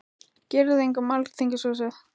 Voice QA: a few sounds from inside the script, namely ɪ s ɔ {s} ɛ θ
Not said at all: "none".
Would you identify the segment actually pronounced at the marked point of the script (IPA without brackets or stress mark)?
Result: s